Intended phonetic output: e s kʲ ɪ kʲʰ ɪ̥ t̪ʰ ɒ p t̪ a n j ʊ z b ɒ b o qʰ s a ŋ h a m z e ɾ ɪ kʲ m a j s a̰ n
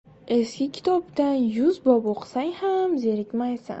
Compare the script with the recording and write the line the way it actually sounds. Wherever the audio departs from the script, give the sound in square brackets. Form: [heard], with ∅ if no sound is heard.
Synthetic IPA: e s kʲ ɪ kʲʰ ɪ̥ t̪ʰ ɒ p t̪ a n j ʊ z b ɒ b o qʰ s a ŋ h a m z e ɾ ɪ kʲ m a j s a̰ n